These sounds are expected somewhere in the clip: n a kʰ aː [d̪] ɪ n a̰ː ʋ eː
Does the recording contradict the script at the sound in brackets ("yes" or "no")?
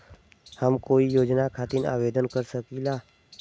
yes